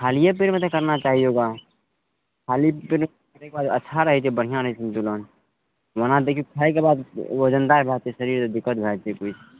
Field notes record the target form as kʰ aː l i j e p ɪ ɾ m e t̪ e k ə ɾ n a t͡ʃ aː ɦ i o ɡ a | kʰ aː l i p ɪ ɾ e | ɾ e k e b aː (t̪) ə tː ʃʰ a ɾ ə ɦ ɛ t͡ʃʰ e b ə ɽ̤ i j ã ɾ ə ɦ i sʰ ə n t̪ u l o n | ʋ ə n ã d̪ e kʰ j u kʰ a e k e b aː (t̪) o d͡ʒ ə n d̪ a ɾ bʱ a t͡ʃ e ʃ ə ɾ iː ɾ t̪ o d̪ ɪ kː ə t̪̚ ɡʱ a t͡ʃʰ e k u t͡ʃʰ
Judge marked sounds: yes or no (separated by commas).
no, no